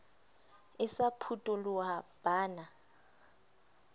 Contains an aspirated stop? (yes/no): yes